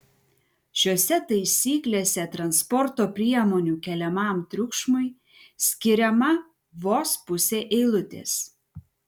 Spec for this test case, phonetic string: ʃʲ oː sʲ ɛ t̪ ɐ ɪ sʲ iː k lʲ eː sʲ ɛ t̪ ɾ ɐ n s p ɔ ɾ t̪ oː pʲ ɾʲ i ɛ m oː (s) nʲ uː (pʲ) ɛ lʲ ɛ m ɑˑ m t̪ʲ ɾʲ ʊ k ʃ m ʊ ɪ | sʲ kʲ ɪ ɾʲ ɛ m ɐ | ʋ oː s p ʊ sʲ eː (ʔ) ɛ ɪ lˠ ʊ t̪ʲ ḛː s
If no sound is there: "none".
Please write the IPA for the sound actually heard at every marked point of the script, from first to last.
none, kʲ, ʔ

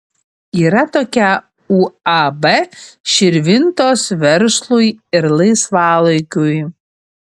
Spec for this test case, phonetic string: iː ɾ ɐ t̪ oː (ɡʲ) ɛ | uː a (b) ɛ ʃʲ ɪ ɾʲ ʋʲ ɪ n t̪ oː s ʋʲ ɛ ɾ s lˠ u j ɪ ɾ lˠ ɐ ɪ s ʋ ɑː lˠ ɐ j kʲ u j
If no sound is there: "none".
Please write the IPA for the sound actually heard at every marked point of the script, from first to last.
kʲ, b

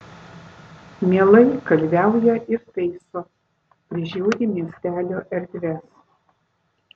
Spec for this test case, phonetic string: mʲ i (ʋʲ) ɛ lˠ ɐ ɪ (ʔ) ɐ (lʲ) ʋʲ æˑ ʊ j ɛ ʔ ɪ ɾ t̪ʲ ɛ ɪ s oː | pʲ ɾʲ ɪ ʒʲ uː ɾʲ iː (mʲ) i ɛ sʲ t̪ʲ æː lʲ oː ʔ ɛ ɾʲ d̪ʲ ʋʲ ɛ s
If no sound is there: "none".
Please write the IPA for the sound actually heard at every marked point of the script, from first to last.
none, k, lʲ, mʲ

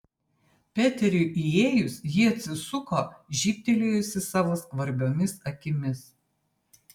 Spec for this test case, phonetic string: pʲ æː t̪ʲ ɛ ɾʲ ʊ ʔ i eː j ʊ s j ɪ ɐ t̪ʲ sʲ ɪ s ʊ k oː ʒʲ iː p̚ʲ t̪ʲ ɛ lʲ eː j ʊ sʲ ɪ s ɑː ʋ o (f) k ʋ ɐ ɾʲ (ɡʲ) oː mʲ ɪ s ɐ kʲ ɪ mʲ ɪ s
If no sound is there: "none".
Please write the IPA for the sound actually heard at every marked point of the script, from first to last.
s, bʲ

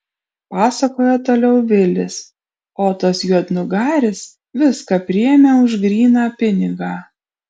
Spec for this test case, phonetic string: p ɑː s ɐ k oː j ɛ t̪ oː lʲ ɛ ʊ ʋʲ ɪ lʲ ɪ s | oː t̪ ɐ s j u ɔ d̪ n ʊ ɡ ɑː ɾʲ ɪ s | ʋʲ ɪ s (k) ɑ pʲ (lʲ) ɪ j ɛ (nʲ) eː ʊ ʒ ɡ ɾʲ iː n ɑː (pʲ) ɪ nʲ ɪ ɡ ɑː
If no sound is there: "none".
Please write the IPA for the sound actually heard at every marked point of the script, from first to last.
k, ɾʲ, mʲ, pʲ

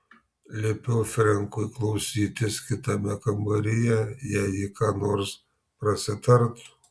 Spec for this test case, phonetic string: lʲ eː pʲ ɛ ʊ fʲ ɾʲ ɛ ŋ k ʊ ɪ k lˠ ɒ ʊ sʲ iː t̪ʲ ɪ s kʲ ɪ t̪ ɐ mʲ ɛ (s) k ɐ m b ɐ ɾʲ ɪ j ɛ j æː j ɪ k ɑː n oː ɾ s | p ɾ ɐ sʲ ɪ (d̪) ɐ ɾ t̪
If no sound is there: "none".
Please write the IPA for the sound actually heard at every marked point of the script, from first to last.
none, t̪

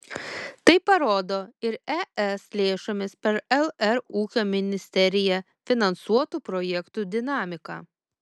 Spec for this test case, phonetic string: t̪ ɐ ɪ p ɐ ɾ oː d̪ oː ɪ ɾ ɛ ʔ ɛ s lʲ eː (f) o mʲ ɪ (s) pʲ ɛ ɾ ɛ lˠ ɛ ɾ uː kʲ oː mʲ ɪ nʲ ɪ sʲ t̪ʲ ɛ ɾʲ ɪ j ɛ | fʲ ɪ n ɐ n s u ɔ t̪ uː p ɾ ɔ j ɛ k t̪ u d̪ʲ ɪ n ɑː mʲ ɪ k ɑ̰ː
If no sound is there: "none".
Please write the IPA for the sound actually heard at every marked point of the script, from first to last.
ʃ, s

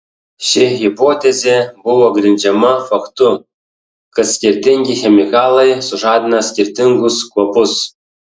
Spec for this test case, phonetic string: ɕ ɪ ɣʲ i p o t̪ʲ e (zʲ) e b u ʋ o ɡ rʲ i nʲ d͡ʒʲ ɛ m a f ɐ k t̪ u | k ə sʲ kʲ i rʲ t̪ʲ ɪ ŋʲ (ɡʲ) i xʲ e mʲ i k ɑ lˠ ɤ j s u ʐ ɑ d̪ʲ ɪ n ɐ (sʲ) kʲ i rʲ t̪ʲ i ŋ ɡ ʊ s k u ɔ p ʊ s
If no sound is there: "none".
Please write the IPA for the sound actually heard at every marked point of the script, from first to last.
zʲ, ɡʲ, sʲ

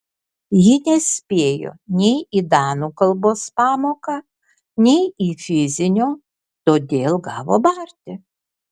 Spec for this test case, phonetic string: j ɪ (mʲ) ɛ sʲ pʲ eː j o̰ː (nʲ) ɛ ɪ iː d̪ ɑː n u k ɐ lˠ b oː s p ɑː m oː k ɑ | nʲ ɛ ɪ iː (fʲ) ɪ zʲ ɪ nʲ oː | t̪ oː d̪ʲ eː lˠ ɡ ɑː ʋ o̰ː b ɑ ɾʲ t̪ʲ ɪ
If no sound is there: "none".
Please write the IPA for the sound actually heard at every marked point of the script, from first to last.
nʲ, nʲ, fʲ

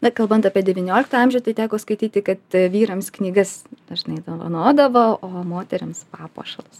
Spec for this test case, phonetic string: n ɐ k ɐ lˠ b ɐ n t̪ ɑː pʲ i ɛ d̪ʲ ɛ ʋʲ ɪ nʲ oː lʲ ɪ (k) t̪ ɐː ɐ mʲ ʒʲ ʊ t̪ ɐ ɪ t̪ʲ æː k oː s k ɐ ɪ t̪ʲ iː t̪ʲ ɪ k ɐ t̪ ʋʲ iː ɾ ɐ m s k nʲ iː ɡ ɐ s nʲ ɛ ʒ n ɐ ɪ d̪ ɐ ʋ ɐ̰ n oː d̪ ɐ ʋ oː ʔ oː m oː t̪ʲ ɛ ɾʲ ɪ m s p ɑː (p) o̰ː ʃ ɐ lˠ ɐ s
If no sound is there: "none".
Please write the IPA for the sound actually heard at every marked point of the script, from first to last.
k, p

